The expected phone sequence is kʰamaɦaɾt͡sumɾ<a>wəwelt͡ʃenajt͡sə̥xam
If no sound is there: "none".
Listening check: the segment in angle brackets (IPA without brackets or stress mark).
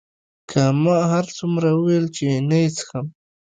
a